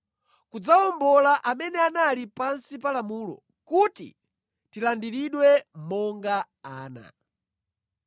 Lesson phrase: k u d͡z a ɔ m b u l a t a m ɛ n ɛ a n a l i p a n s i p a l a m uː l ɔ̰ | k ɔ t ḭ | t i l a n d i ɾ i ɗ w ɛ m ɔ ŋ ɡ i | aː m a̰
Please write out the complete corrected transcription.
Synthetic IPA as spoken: k u d͡z a ɔ m b ɔ l a ʔ a m ɛ n ɛ a n a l i p a n s i p a l a m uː l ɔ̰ | k u t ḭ | t i l a n d i ɾ i ɗ w ɛ m ɔ ŋ ɡ a | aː n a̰